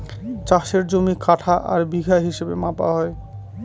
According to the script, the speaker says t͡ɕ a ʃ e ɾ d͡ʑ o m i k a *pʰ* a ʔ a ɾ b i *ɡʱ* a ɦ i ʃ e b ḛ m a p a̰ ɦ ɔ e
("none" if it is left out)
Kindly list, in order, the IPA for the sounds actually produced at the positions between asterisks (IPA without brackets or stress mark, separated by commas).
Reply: ʈʰ, ɡʱ